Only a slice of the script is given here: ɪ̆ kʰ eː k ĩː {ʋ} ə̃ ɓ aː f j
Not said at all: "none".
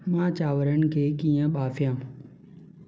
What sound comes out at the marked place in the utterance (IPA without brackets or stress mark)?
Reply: none